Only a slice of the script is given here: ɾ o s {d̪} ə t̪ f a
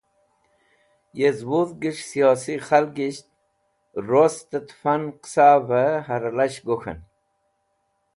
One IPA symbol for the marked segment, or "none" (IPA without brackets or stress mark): t̪